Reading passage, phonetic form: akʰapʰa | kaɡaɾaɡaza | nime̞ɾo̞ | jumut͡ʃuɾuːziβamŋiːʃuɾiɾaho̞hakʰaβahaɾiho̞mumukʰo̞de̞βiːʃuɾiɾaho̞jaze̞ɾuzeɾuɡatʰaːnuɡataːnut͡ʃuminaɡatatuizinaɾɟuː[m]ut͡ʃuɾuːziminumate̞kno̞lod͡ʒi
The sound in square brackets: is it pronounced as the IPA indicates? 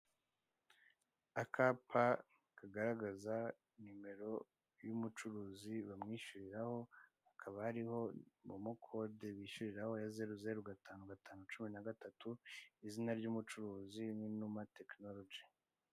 yes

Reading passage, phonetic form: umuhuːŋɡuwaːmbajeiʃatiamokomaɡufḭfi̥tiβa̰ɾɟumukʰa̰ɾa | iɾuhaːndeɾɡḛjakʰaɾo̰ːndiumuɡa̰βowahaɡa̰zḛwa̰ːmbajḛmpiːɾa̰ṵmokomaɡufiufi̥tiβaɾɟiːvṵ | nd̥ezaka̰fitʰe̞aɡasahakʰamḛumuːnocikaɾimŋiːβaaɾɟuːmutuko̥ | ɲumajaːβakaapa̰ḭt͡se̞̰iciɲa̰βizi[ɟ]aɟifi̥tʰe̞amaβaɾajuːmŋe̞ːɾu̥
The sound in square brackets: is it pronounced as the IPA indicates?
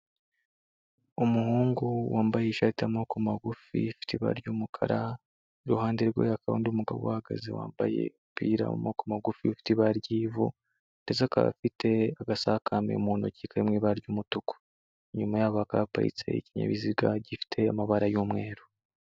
no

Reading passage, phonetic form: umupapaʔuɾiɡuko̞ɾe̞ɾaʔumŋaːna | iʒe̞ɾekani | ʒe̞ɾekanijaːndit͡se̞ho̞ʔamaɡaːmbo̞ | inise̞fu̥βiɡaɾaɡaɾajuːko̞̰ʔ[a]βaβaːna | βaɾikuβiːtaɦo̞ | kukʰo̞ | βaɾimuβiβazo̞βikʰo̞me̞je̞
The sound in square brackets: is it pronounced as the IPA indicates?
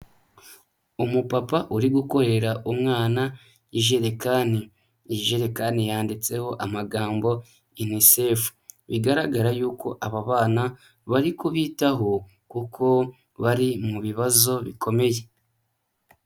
yes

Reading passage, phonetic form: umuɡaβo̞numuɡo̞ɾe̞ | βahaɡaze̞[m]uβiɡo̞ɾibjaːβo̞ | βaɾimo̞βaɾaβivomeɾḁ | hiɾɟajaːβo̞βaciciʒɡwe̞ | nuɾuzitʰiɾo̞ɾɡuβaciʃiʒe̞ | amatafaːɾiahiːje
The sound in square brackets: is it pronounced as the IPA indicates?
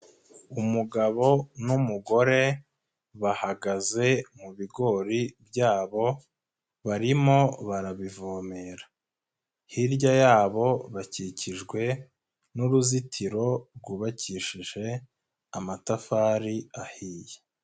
yes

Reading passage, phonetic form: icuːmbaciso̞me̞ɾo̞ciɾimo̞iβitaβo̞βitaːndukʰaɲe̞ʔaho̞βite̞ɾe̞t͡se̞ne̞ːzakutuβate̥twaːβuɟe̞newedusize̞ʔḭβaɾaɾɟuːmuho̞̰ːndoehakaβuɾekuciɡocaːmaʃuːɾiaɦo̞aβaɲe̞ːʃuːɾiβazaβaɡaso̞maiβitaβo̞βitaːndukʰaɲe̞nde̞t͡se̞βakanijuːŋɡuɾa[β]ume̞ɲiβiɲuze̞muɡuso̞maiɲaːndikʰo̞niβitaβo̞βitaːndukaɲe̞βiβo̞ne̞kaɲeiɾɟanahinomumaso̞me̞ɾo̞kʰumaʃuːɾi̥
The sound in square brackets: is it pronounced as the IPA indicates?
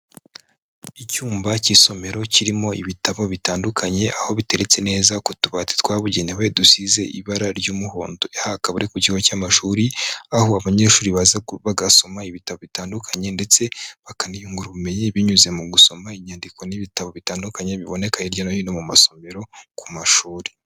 yes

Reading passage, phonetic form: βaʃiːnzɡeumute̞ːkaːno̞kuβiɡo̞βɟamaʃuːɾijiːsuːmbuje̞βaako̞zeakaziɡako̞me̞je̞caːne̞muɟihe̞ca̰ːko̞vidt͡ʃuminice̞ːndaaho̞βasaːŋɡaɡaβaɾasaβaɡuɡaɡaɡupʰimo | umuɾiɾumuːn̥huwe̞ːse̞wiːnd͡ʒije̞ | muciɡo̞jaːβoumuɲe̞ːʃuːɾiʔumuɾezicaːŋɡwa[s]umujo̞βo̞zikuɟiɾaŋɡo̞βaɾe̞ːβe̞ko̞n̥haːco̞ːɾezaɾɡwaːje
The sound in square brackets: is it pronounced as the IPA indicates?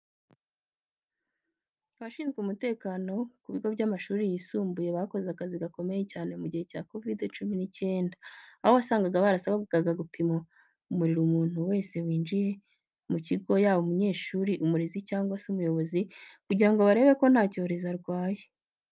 yes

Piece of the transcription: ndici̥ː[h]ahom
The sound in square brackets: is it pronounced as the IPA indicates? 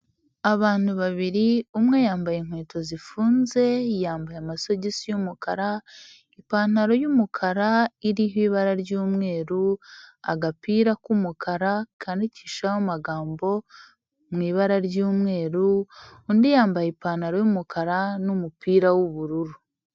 no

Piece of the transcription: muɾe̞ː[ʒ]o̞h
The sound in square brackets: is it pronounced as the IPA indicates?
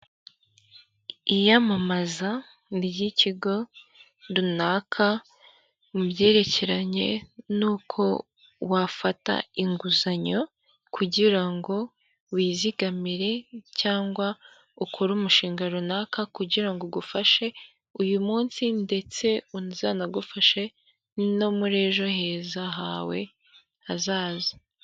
yes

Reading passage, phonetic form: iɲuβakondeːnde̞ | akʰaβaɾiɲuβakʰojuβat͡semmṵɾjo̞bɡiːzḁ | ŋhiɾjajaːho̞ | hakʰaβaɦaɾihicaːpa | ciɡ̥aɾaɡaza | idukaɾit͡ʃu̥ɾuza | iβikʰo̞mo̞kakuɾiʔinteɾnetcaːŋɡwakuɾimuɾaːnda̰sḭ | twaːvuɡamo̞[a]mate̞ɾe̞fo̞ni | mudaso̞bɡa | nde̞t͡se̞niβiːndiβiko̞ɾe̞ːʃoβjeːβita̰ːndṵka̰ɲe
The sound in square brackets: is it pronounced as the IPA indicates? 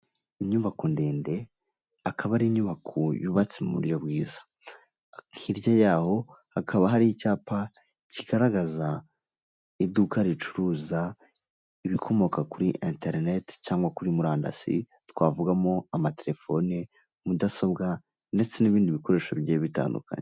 yes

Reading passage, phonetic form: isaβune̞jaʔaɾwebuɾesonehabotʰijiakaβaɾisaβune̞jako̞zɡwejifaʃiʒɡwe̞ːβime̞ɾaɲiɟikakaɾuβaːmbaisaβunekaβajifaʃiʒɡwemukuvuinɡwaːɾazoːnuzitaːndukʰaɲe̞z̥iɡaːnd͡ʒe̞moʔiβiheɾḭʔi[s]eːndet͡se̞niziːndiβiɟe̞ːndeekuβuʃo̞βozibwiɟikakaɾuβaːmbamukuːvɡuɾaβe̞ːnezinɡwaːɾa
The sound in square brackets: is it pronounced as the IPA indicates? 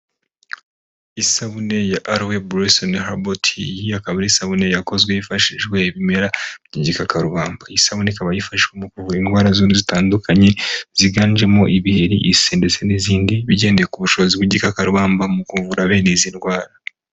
yes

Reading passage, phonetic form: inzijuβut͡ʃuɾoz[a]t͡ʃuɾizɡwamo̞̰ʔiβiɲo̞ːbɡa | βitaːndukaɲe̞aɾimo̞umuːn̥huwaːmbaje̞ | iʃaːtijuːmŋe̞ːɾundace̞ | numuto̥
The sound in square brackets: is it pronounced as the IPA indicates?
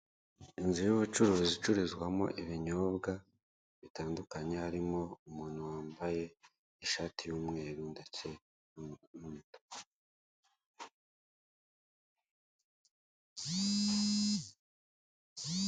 no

